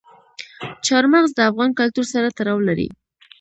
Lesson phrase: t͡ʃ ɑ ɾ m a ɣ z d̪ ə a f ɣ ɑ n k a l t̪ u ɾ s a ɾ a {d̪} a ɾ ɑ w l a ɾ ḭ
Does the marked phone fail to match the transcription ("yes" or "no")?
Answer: yes